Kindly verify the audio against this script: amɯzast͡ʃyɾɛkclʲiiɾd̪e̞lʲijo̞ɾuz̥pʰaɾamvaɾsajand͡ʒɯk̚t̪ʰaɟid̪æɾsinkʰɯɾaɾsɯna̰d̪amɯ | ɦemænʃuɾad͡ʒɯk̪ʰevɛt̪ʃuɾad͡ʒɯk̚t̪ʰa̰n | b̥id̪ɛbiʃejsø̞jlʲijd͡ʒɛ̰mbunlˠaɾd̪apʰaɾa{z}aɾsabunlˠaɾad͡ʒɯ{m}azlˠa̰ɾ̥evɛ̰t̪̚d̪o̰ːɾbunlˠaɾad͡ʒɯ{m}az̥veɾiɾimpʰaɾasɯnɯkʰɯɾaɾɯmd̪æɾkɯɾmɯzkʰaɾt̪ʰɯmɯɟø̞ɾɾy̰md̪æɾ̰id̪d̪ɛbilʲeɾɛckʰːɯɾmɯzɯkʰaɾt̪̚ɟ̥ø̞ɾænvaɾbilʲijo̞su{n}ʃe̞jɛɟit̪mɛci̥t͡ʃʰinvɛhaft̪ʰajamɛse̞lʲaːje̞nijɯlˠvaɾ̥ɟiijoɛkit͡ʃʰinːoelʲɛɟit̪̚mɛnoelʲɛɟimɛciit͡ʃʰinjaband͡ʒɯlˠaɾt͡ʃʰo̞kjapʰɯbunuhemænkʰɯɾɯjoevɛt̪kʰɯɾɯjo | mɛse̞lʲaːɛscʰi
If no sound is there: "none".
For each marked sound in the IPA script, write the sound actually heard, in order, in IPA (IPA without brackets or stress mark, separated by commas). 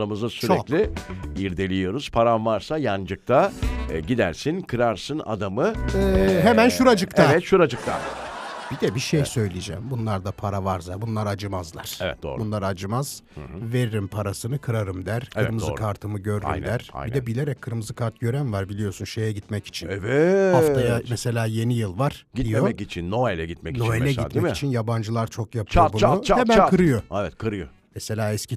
v, m, m, n